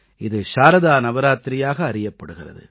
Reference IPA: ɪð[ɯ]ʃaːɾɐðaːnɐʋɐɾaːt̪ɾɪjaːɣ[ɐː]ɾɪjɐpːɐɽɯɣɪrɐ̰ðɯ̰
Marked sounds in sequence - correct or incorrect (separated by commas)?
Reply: correct, correct